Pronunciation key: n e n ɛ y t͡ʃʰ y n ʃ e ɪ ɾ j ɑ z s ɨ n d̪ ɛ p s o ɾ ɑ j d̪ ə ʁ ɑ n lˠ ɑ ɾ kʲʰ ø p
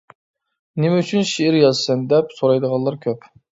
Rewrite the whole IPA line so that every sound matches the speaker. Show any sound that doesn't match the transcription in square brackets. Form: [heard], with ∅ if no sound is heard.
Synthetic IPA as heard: n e [m] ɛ y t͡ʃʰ y n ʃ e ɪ ɾ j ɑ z s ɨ n d̪ ɛ p s o ɾ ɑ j d̪ ə ʁ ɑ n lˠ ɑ ɾ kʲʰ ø p